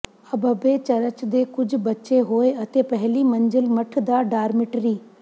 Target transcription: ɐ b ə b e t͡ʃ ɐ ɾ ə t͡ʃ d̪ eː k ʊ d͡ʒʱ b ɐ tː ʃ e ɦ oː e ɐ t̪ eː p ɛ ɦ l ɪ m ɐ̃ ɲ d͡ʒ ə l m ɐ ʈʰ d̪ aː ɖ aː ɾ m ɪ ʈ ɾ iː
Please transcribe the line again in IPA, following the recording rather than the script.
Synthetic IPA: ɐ b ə b e t͡ʃ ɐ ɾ ə t͡ʃ d̪ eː k ʊ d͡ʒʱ b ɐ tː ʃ e ɦ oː e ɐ t̪ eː p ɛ ɦ l i m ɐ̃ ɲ d͡ʒ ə l m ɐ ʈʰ d̪ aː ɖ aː ɾ m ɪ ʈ ɾ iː